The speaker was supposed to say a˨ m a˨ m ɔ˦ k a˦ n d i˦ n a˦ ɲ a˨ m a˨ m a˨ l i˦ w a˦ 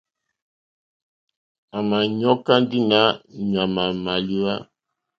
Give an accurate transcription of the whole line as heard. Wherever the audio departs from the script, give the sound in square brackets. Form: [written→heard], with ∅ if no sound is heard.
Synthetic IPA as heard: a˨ m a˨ [m→ɲ] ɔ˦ k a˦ n d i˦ n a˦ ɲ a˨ m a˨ m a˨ l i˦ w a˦